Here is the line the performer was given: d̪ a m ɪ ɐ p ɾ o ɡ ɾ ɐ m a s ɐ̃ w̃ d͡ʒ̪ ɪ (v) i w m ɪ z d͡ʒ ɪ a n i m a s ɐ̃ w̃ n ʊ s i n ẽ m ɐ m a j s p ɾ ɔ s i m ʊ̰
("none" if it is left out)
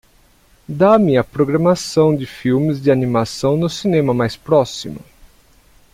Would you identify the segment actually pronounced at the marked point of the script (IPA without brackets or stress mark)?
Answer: f